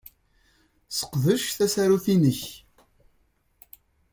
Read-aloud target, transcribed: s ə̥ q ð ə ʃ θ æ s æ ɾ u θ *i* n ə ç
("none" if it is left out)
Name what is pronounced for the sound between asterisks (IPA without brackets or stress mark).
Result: i